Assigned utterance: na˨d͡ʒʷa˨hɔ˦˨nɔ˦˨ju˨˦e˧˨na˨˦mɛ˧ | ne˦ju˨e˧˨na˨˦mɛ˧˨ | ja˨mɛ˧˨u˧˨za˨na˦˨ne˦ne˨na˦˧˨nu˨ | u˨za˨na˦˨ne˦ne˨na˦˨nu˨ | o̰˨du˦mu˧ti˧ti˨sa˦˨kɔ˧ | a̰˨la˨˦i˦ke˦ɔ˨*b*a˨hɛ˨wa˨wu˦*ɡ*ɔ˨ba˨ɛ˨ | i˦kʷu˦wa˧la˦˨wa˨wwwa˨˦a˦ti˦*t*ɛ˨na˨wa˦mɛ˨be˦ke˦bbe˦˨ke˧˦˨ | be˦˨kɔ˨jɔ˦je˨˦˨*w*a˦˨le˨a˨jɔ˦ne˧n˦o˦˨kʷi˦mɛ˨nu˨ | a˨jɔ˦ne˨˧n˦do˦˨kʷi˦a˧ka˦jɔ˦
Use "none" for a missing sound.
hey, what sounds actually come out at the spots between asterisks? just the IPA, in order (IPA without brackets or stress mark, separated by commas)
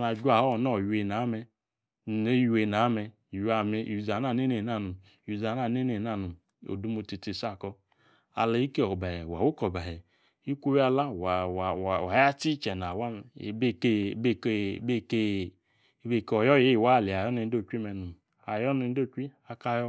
b, k, t͡ʃ, w